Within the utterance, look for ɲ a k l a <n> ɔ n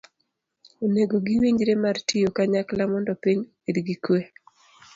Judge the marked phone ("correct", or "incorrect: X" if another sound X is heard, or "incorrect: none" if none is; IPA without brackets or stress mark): incorrect: m